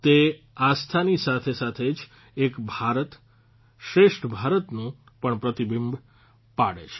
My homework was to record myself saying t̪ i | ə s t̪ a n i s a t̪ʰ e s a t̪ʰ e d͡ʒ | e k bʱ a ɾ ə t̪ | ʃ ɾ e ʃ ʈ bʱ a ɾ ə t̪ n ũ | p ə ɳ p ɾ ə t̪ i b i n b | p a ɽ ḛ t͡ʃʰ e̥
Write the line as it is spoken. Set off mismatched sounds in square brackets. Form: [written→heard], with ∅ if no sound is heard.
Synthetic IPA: t̪ [i→e] | [ə→a] s [t̪→t̪ʰ] a n i s a t̪ʰ e s a t̪ʰ e d͡ʒ | e k bʱ a ɾ ə t̪ | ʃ ɾ e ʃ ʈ bʱ a ɾ ə t̪ n ũ | p ə ɳ p ɾ ə t̪ i b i [n→m] b | p a ɽ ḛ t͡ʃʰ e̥

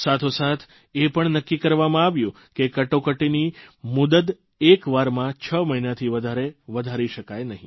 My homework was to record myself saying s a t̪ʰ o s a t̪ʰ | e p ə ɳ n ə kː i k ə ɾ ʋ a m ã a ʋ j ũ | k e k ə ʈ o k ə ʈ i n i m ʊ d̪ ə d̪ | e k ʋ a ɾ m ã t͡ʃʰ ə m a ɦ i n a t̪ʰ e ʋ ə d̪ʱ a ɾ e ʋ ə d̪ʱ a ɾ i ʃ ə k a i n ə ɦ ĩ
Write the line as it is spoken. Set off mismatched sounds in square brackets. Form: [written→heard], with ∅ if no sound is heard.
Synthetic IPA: s a t̪ʰ o s a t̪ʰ | e p ə ɳ n ə kː i k ə ɾ ʋ a m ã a ʋ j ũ | k e k ə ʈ o k ə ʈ i n i m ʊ d̪ ə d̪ | e k ʋ a ɾ m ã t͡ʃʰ ə m [a→ə] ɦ i n a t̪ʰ [e→i] ʋ ə d̪ʱ a ɾ e ʋ ə d̪ʱ a ɾ i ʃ ə k a [i→j] n ə ɦ ĩ

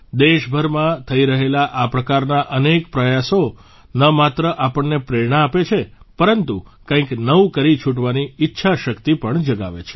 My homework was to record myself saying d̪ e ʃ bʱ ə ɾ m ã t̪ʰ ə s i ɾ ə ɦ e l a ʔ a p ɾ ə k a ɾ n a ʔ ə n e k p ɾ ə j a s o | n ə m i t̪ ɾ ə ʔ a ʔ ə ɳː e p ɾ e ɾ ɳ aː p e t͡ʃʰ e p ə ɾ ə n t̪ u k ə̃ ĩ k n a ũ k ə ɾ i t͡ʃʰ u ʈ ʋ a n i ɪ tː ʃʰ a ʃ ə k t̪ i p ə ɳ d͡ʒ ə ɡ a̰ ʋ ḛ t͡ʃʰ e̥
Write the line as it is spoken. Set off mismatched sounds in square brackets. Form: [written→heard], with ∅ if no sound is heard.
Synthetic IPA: d̪ e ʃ bʱ ə ɾ m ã t̪ʰ ə [s→∅] i ɾ ə ɦ e l a ʔ a p ɾ ə k a ɾ n a ʔ ə n e k p ɾ ə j a s o | n ə m [i→a] t̪ ɾ ə ʔ a [ʔ→p] ə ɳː e p ɾ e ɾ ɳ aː p e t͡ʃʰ e p ə ɾ ə n t̪ u k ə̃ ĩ k n [a→ə] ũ k ə ɾ i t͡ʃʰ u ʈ ʋ a n i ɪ tː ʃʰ a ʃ ə k t̪ i p ə ɳ d͡ʒ ə ɡ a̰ ʋ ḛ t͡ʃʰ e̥

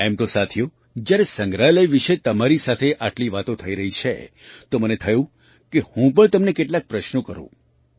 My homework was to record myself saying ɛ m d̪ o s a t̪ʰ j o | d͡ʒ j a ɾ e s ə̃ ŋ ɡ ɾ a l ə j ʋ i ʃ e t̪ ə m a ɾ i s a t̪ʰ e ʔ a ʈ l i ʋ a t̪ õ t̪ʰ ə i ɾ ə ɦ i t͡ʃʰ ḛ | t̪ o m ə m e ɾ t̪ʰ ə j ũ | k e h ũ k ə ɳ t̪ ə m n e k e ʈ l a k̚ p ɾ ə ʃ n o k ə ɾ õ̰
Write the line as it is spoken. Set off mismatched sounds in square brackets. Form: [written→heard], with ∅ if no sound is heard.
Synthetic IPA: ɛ m [d̪→t̪] o s a t̪ʰ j o | d͡ʒ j a ɾ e s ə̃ ŋ ɡ ɾ a l ə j ʋ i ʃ e t̪ ə m a ɾ i s a t̪ʰ e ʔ a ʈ l i ʋ a t̪ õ t̪ʰ ə i ɾ ə ɦ i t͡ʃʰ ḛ | t̪ o m ə [m→n] e [ɾ→∅] t̪ʰ ə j ũ | k e h ũ [k→p] ə ɳ t̪ ə m n e k e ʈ l a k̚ p ɾ ə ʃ n o k ə ɾ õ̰

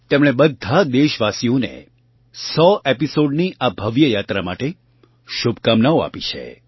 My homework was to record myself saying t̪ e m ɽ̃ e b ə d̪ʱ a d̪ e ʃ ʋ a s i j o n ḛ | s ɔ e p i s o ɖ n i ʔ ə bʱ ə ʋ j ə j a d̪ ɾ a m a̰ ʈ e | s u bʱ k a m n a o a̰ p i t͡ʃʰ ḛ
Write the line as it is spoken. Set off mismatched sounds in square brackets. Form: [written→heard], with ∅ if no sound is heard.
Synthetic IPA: t̪ e m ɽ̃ e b ə d̪ʱ a d̪ e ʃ ʋ a s i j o n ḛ | s ɔ e p i s o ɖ n i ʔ [ə→a] bʱ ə ʋ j ə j a [d̪→t̪] ɾ a m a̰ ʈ e | [s→ʃ] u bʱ k a m n a o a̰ p i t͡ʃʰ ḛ

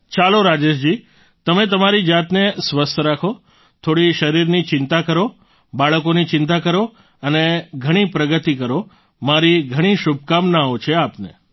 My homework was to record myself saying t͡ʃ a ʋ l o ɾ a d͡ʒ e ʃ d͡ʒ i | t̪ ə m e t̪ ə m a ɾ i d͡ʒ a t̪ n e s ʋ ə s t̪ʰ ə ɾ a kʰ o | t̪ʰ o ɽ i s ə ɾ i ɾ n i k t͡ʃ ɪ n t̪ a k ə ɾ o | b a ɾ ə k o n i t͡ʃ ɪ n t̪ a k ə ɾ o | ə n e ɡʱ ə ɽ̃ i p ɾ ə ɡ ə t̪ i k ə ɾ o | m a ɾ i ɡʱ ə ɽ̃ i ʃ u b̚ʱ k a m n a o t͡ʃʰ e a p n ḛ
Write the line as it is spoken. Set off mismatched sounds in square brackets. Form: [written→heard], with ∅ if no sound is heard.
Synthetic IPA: t͡ʃ a [ʋ→∅] l o ɾ a d͡ʒ e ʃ d͡ʒ i | t̪ ə m e t̪ ə m a ɾ i d͡ʒ a t̪ n e s ʋ ə s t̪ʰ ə ɾ a kʰ o | t̪ʰ o ɽ i [s→ʃ] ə ɾ i ɾ n i [k→∅] t͡ʃ ɪ n t̪ a k ə ɾ o | b a [ɾ→ɭ] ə k o n i t͡ʃ ɪ n t̪ a k ə ɾ o | ə n e ɡʱ ə ɽ̃ i p ɾ ə ɡ ə t̪ i k ə ɾ o | m a ɾ i ɡʱ ə ɽ̃ i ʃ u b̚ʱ k a m n a o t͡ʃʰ e a p n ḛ

